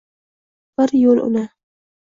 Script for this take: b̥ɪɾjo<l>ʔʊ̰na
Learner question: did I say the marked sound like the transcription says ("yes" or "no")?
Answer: yes